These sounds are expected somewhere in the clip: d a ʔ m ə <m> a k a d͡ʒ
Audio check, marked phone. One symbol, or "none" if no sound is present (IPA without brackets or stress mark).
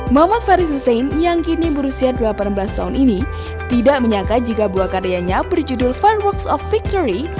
ɲ